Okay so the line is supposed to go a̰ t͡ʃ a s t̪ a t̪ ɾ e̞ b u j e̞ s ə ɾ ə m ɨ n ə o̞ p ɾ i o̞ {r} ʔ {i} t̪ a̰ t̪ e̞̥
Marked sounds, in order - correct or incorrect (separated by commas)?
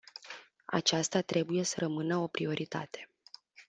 incorrect, correct